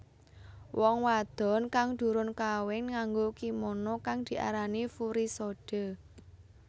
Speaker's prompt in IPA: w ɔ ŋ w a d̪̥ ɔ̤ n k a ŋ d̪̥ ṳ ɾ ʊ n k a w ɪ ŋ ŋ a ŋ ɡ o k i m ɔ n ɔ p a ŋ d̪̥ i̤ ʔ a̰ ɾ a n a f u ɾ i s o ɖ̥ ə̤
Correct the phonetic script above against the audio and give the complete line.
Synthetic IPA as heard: w ɔ ŋ w a d̪̥ ɔ̤ n k a ŋ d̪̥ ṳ ɾ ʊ n k a w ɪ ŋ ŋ a ŋ ɡ o k i m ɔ n ɔ k a ŋ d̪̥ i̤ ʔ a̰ ɾ a n i f u ɾ i s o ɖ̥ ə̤